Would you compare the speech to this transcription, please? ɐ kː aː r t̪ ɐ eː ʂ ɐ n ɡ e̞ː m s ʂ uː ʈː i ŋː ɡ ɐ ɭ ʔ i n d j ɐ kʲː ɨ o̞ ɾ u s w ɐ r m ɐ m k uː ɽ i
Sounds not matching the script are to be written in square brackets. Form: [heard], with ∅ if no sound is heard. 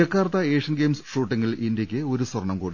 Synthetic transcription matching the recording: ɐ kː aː r t̪ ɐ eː ʂ ɐ n ɡ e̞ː m s ʂ uː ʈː i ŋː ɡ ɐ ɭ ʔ i n d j ɐ kʲː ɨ o̞ ɾ u s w ɐ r [ɳ] ɐ m k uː ɽ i